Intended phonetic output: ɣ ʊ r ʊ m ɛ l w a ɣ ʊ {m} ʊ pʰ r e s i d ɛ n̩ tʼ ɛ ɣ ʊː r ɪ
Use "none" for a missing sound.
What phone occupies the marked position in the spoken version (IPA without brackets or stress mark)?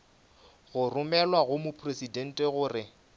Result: m